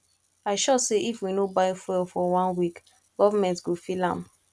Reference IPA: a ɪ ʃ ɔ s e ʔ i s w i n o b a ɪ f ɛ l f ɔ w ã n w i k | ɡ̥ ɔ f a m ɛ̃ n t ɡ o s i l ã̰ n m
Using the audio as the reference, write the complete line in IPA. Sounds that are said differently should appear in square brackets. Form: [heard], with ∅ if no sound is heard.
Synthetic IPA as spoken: a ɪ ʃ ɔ s e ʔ i [f] w i n o b a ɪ f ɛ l f ɔ w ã n w i k | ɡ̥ ɔ [v] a m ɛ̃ n t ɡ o [f] i l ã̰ [∅] m